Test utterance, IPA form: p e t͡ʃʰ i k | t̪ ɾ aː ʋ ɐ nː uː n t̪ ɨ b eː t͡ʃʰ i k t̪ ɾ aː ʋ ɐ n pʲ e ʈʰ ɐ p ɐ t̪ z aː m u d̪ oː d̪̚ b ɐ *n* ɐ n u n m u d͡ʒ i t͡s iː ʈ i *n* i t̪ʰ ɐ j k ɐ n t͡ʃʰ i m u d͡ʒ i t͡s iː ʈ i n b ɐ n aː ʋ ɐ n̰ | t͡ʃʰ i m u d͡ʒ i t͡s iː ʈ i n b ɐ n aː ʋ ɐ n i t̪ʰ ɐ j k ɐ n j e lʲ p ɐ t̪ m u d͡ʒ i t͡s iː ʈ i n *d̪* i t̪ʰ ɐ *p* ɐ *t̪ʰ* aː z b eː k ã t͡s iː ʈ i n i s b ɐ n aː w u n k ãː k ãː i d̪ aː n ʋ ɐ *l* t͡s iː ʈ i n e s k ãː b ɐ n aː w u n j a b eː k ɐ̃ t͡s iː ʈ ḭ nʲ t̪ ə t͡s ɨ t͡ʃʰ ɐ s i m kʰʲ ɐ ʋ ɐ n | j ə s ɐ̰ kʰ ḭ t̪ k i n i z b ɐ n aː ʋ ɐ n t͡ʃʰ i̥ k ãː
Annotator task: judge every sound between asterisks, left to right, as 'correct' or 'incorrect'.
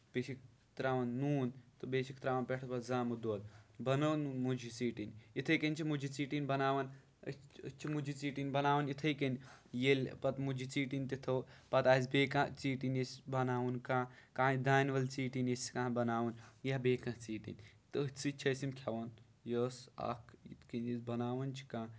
correct, correct, incorrect, correct, incorrect, correct

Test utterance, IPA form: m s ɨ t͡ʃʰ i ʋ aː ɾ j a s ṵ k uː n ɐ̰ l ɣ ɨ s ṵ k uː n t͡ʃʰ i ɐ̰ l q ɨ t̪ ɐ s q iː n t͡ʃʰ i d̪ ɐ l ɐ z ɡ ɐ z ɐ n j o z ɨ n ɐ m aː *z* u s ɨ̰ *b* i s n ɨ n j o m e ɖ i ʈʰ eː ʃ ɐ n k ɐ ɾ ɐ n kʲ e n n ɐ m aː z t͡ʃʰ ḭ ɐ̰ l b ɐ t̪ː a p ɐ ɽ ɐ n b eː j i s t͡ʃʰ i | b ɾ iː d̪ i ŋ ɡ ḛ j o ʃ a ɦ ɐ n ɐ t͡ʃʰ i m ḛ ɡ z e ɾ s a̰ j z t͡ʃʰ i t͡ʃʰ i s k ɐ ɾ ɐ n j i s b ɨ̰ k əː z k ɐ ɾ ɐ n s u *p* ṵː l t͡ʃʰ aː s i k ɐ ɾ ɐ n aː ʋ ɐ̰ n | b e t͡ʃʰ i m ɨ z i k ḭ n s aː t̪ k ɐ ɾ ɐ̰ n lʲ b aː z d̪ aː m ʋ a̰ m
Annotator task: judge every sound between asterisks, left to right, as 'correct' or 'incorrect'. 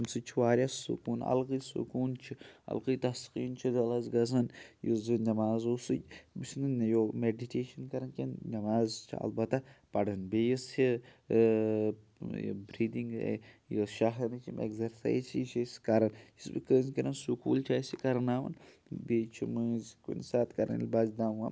correct, correct, incorrect

